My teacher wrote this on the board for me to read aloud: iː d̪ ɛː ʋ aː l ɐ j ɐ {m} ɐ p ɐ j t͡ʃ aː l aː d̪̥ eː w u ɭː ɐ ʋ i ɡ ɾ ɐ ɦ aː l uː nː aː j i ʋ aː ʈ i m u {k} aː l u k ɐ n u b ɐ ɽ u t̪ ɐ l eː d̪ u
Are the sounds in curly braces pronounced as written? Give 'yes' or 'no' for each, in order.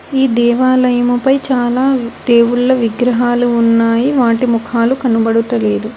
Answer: yes, no

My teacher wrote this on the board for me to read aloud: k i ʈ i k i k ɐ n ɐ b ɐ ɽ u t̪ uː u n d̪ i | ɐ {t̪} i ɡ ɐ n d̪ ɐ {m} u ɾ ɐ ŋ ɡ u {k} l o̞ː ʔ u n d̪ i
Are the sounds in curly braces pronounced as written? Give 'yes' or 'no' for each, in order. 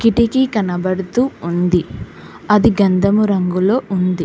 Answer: no, yes, no

